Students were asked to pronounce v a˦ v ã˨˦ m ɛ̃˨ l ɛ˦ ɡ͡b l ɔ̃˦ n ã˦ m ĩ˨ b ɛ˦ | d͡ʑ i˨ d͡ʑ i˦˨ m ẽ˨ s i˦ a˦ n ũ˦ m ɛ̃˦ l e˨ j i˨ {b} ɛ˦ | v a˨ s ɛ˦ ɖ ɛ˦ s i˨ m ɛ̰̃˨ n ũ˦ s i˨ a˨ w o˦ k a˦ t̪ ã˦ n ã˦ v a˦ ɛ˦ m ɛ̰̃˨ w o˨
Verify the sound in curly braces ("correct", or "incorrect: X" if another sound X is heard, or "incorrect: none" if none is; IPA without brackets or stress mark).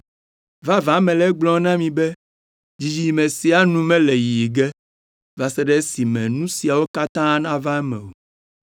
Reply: incorrect: ɡ